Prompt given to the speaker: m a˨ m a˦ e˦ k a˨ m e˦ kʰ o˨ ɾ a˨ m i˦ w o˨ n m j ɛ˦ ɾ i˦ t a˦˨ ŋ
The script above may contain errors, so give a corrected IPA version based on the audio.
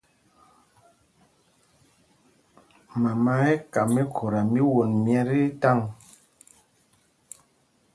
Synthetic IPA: m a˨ m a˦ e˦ k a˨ m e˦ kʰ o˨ ɾ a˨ m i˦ w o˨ n m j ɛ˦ ɾ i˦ t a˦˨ ŋ